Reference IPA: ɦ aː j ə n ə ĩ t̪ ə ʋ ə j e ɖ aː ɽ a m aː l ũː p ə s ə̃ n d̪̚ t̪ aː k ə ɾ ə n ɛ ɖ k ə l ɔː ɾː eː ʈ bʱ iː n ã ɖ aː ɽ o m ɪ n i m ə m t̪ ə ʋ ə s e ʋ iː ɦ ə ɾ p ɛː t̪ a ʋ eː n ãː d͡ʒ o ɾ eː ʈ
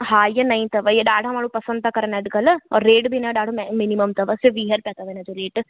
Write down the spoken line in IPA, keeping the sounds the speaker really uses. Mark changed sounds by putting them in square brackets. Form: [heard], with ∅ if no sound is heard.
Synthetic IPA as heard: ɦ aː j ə n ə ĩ t̪ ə ʋ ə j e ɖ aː ɽ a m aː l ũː p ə s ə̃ n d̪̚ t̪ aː k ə ɾ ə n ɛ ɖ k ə l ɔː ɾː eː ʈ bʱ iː n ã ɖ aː ɽ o m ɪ n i m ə m t̪ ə ʋ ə s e ʋ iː ɦ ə ɾ p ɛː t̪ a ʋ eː n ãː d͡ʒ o ɾ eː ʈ